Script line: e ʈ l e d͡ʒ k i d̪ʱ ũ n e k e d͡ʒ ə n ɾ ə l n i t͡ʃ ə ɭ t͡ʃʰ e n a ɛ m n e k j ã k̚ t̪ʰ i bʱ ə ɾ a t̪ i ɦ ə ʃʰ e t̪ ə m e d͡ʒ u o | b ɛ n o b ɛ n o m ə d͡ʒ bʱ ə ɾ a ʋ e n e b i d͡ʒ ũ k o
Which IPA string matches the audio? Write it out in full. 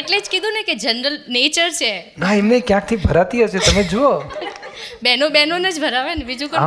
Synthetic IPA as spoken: e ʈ l e d͡ʒ k i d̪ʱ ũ n e k e d͡ʒ ə n ɾ ə l n e t͡ʃ ə ɾ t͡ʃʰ e n a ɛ m n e k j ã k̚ t̪ʰ i bʱ ə ɾ a t̪ i ɦ ə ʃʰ e t̪ ə m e d͡ʒ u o | b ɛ n o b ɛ n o n ə d͡ʒ bʱ ə ɾ a ʋ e n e b i d͡ʒ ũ k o